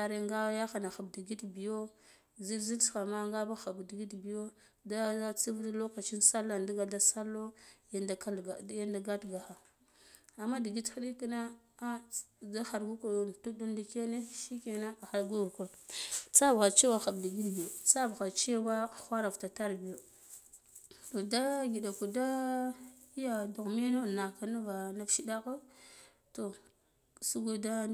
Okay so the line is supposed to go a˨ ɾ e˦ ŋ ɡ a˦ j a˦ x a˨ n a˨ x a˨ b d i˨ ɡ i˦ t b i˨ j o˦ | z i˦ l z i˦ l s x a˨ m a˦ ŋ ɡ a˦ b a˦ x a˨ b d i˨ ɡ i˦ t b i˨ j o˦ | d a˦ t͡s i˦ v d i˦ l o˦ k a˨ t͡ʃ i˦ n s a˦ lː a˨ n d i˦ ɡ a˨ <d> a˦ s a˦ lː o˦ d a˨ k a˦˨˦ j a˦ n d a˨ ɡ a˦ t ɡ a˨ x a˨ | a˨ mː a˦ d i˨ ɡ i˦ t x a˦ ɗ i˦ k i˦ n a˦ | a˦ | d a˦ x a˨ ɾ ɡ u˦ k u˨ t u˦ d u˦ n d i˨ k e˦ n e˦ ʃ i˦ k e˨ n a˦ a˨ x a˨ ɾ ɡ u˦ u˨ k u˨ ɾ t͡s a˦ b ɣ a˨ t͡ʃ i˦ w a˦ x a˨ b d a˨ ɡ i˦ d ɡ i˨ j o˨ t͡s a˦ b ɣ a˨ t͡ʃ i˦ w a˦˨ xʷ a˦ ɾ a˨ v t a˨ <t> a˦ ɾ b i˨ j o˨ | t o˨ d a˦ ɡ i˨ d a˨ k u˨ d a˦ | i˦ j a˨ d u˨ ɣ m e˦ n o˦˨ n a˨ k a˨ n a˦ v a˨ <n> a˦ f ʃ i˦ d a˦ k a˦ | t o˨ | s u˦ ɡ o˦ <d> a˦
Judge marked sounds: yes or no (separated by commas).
yes, yes, yes, yes